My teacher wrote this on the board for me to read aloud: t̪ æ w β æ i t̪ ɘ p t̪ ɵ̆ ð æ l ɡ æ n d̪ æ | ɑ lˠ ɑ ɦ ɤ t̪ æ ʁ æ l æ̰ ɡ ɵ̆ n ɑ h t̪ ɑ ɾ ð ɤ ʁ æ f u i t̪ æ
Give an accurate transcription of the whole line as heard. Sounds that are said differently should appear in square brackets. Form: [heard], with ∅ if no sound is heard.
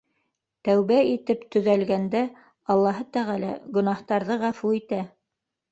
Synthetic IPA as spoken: t̪ æ w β æ i t̪ ɘ p t̪ ɵ̆ ð æ l ɡ æ n d̪ æ | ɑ [lˠː] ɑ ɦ ɤ t̪ æ ʁ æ l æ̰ ɡ ɵ̆ n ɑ h t̪ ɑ ɾ ð ɤ ʁ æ f u i t̪ æ